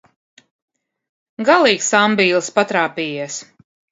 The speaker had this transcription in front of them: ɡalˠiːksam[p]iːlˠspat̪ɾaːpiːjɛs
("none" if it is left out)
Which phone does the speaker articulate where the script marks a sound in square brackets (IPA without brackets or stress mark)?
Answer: b